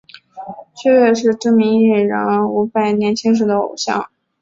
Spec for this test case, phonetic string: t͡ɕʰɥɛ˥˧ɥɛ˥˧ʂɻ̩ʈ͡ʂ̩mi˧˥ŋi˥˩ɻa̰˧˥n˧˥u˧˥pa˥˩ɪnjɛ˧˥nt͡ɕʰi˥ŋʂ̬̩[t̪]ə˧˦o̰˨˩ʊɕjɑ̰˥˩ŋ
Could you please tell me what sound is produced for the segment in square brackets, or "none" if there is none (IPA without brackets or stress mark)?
d̪